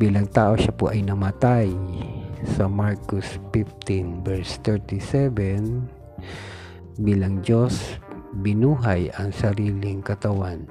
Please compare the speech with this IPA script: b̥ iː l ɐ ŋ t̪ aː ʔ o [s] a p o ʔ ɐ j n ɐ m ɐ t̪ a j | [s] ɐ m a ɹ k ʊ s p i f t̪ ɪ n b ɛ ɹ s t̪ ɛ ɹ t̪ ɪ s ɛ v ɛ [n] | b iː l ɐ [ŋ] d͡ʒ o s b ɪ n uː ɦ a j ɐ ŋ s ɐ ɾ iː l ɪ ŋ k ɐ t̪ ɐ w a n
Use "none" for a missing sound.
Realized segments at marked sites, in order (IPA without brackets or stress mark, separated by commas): ʃ, s, n, ŋ